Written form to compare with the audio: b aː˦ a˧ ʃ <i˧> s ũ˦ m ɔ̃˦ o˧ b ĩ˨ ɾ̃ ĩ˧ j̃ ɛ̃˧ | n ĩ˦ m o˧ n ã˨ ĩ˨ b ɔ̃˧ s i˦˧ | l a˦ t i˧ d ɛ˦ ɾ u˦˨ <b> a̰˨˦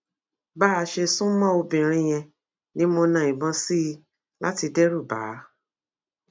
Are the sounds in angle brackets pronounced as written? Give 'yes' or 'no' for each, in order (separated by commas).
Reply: no, yes